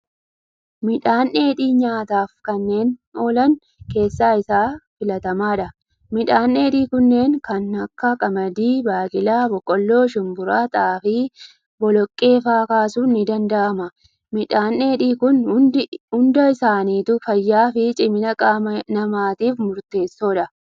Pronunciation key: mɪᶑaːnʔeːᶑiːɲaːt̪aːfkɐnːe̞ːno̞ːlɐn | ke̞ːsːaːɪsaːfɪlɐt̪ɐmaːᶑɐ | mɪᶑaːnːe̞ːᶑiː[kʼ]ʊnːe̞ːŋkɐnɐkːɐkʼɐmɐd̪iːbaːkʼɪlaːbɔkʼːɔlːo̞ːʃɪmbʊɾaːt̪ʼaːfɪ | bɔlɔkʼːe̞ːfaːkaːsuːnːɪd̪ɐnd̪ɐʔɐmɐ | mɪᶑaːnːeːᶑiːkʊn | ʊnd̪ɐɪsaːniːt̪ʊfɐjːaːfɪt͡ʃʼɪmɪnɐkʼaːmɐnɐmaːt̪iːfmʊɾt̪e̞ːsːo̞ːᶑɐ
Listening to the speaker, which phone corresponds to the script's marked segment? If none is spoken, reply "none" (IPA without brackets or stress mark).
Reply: k